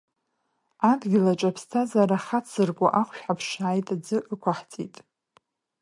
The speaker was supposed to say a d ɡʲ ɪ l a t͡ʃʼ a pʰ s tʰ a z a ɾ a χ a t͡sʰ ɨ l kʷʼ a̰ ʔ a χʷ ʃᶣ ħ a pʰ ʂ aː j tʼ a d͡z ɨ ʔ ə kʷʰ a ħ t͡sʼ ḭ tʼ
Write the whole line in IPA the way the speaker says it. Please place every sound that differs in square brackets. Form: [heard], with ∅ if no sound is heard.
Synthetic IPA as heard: a d ɡʲ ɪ l a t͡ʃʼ a pʰ s tʰ a z a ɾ a χ a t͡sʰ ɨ [r] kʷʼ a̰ ʔ a χʷ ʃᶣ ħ a pʰ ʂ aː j tʼ a d͡z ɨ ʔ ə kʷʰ a ħ t͡sʼ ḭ tʼ